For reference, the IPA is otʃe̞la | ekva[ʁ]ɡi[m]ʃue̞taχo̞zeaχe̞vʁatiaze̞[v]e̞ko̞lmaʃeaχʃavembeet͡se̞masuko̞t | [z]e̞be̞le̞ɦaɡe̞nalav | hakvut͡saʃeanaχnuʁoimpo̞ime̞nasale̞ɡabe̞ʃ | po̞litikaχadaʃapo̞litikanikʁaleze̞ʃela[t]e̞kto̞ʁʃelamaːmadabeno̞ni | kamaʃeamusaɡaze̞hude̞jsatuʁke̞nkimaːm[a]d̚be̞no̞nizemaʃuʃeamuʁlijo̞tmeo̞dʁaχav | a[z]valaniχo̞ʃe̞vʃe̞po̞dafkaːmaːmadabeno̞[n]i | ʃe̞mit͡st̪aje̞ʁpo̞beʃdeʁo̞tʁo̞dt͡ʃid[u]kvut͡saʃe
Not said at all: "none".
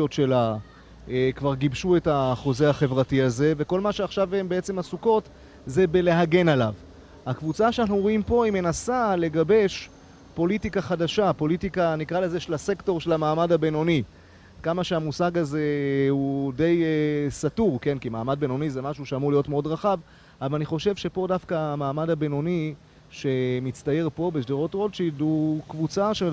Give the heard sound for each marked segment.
ʁ, b, v, z, s, a, v, n, u

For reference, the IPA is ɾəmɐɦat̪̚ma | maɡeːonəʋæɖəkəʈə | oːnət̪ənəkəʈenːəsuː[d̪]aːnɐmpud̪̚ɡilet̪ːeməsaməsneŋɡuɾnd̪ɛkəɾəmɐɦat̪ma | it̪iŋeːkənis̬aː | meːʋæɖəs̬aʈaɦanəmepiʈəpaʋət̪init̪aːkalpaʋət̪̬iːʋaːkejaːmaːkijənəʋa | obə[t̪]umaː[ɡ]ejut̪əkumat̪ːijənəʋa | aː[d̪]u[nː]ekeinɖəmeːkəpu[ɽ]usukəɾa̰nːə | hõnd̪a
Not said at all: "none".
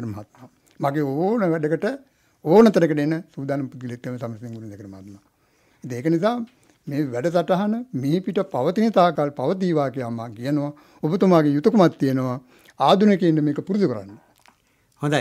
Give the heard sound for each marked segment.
d̪, t̪, ɡ, d̪, n, ɾ

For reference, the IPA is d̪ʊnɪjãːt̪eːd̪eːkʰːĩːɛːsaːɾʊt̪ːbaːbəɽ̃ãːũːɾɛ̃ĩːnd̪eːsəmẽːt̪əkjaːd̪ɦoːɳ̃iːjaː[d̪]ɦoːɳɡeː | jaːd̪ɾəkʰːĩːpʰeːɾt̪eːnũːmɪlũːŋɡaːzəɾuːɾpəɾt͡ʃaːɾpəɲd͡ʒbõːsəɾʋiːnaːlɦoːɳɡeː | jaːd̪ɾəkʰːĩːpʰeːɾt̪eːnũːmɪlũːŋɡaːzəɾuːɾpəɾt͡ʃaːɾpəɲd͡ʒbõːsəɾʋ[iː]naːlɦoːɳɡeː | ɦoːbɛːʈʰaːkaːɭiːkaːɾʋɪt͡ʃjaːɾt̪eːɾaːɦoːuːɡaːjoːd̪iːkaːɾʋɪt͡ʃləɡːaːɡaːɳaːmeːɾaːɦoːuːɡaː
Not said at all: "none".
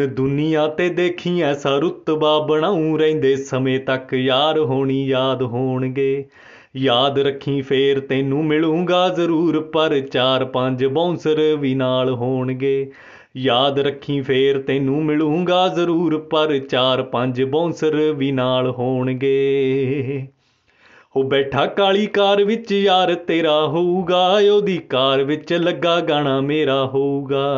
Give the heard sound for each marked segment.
d̪, iː

